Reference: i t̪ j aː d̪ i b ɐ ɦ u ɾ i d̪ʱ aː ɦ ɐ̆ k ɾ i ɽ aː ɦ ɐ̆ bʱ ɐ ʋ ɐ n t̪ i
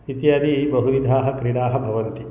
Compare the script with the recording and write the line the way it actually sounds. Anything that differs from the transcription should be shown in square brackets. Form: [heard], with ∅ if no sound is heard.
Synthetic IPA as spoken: i t̪ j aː d̪ i b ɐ ɦ u ɾ i d̪ʱ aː ɦ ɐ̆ k ɾ i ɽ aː ɦ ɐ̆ bʱ ɐ ʋ ɐ n t̪ i